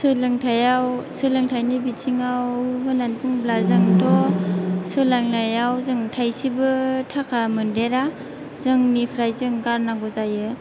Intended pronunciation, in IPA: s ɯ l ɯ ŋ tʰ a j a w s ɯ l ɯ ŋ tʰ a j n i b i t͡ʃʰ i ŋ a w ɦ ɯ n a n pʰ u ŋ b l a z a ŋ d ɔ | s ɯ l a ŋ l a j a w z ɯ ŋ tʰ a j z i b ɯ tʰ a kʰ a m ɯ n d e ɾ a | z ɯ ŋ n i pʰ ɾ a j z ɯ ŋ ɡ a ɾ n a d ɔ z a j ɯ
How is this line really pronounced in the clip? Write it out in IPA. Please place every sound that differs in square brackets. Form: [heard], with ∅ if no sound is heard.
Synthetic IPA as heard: s ɯ l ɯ ŋ tʰ a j a w s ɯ l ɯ ŋ tʰ a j n i b i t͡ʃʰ i ŋ a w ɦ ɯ n a n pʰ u ŋ b l a z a ŋ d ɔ | s ɯ l a ŋ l a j a w z ɯ ŋ tʰ a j [s] i b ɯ tʰ a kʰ a m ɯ n d e ɾ a | z ɯ ŋ n i pʰ ɾ a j z ɯ ŋ ɡ a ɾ n a [ɡ] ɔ z a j ɯ